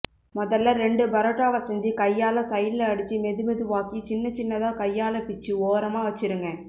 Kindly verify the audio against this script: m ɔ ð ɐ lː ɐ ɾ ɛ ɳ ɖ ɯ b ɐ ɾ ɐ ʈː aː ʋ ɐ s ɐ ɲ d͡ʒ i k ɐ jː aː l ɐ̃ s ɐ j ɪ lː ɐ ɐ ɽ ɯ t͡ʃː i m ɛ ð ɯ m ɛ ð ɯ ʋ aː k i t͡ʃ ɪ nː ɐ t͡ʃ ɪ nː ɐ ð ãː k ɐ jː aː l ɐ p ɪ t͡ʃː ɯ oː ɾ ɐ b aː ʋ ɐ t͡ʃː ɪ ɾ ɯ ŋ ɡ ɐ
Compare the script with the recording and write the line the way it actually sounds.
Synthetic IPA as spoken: m ɔ ð ɐ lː ɐ ɾ ɛ ɳ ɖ ɯ b ɐ ɾ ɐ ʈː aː ʋ ɐ s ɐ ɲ d͡ʒ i k ɐ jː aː l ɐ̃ s ɐ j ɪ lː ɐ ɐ ɽ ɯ t͡ʃː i m ɛ ð ɯ m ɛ ð ɯ ʋ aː k i t͡ʃ ɪ nː ɐ t͡ʃ ɪ nː ɐ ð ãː k ɐ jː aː l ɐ p ɪ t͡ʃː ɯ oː ɾ ɐ m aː ʋ ɐ t͡ʃː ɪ ɾ ɯ ŋ ɡ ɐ